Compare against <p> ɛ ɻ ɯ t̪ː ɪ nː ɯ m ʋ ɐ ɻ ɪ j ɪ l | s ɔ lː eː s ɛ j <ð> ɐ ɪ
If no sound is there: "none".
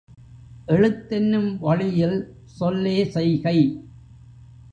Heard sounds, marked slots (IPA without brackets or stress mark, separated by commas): ʔ, ɣ